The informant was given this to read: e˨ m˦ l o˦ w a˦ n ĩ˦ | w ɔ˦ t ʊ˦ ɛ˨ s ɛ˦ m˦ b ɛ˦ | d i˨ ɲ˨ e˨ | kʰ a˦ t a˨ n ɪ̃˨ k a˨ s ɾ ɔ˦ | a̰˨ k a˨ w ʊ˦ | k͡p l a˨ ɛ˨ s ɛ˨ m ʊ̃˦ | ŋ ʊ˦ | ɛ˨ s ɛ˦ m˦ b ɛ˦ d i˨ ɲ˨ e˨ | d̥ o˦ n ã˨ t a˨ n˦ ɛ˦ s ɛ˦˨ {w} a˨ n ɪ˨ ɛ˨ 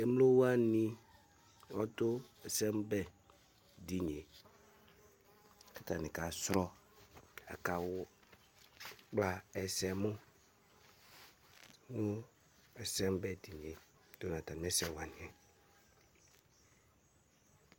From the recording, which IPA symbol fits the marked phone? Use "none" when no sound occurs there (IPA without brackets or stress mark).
w